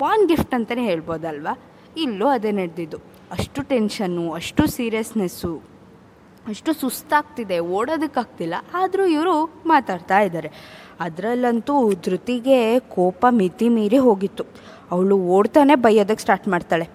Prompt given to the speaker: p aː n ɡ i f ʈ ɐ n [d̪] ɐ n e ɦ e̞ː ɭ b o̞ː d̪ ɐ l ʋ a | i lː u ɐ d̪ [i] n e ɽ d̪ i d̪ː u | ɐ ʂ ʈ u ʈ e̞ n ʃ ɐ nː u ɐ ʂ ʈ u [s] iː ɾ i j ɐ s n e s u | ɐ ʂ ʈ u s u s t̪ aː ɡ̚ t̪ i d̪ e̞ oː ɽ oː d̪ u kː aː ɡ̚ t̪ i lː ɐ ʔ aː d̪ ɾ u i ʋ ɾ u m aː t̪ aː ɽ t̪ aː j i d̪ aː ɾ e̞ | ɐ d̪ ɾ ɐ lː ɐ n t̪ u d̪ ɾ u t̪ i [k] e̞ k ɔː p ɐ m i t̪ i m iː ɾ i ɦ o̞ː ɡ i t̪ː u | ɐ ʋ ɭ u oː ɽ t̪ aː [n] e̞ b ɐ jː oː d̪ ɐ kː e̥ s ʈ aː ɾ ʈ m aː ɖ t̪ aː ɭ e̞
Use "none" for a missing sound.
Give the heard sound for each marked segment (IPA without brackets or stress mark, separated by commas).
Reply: t̪, e, s, ɡ, n